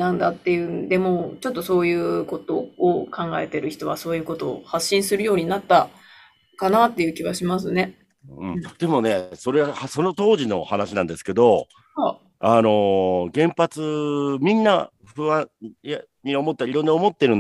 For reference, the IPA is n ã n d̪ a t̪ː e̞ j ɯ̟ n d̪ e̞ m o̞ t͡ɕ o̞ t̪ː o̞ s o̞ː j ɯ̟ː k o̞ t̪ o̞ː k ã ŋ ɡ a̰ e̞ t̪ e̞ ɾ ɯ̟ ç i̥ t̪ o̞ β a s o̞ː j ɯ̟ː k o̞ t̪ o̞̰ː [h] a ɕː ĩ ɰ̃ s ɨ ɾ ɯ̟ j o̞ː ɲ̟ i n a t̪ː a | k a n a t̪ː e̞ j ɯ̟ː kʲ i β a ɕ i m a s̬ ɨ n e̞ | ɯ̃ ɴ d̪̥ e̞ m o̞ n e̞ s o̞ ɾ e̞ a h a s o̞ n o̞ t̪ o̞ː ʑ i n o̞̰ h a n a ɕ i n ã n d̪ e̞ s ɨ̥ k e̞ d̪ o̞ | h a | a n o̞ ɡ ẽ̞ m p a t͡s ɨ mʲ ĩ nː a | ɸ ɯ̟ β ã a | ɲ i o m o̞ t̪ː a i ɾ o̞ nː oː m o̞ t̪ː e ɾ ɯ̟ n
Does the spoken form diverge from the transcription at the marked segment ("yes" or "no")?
no